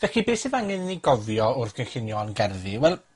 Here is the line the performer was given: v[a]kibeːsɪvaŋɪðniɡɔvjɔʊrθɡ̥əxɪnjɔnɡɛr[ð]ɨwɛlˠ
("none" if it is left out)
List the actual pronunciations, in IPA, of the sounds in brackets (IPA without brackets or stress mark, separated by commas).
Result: ɛ, ð